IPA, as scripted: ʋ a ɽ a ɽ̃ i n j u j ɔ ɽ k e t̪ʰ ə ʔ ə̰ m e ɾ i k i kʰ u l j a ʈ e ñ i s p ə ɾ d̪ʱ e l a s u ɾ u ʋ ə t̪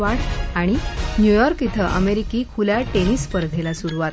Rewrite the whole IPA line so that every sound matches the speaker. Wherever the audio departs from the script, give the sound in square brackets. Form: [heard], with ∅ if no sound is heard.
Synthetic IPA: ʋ a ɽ a ɽ̃ i n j u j ɔ [ɾ] k [i] t̪ʰ ə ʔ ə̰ m e ɾ i k i kʰ u l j a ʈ e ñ i s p ə ɾ d̪ʱ e l a s u ɾ u ʋ [a] t̪